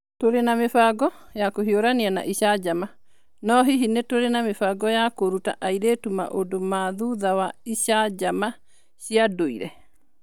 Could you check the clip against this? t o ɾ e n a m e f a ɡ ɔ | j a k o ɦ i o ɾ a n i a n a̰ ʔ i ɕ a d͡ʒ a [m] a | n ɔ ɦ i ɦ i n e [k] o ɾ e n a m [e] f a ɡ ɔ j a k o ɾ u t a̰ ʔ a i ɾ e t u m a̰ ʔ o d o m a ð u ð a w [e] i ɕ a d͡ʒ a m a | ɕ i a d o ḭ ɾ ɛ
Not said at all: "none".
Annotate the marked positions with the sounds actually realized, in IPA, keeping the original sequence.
m, t, e, a

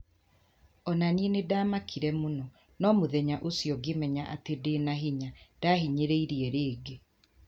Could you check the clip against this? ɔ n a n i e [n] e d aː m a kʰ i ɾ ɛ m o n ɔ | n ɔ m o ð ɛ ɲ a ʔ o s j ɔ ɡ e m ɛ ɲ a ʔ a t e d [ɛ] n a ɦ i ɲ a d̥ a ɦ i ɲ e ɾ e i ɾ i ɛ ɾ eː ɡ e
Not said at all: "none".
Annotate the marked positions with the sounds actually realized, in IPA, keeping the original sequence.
n, e

